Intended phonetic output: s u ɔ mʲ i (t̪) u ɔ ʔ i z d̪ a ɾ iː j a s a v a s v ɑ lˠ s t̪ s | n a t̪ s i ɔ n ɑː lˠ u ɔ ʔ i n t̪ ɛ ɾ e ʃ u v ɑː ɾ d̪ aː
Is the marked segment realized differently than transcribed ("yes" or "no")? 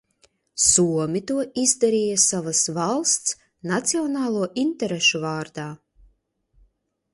no